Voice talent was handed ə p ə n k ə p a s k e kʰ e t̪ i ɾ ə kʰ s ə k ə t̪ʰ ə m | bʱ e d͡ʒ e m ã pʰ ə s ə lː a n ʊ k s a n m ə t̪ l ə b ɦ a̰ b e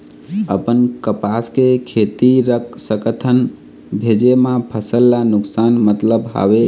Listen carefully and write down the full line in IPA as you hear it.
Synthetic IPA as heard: ə p ə n k ə p a s k e kʰ e t̪ i ɾ ə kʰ s ə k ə t̪ʰ ə n | bʱ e d͡ʒ e m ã pʰ ə s ə lː a n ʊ k s a n m ə t̪ l ə b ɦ a̰ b e

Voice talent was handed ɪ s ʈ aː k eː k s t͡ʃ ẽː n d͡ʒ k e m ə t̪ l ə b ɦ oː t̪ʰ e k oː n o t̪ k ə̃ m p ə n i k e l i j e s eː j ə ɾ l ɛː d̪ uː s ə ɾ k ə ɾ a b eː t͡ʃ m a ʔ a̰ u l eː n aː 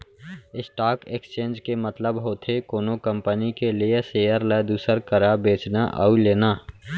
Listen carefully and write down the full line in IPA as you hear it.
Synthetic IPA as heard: ɪ s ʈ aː k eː k s t͡ʃ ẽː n d͡ʒ k e m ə t̪ l ə b ɦ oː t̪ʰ e k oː n o k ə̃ m p ə n i k e l i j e s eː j ə ɾ l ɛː d̪ uː s ə ɾ k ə ɾ a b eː t͡ʃ n a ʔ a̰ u l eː n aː

